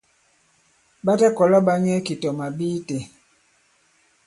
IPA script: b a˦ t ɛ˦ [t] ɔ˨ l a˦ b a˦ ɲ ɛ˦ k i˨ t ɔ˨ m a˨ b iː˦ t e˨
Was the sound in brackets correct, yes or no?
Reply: no